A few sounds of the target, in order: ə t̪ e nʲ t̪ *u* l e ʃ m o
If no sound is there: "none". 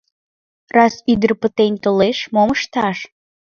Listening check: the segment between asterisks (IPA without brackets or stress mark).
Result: o